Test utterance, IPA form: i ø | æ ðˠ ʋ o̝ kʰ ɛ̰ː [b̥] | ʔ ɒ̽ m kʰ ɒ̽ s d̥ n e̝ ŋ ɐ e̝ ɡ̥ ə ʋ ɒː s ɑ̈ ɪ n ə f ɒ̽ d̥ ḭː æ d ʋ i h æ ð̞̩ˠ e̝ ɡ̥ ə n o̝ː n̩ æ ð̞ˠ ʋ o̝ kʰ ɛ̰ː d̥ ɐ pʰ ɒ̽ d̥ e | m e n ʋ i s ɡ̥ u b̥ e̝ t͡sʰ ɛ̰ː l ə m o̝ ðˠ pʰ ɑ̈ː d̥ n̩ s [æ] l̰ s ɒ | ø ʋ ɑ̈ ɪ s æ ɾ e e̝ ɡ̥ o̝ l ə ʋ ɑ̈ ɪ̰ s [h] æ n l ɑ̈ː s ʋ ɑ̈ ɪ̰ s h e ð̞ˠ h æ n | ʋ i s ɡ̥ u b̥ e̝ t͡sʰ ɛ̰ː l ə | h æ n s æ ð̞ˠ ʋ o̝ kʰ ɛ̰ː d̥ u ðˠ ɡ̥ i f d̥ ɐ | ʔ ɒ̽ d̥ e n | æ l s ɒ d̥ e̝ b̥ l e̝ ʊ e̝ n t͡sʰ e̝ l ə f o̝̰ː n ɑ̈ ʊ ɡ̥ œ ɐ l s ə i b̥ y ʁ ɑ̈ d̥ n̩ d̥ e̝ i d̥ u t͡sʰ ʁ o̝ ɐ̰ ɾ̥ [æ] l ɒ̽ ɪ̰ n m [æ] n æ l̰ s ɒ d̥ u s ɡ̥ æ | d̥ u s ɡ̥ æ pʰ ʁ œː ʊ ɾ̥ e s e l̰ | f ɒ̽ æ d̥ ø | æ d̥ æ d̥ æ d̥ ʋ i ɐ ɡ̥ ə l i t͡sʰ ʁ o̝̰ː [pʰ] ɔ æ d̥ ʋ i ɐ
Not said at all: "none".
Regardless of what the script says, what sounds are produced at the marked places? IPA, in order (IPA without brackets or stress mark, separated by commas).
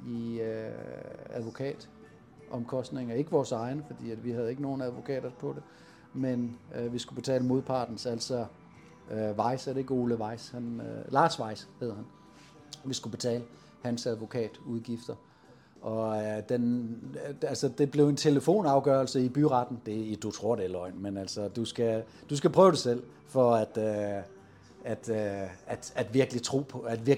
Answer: d̥, æ, h, e, e, pʰ